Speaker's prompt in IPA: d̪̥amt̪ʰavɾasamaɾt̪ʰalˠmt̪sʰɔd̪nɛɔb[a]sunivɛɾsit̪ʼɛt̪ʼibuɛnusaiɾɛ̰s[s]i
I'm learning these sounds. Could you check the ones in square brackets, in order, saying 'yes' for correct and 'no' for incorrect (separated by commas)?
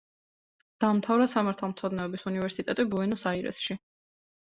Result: no, no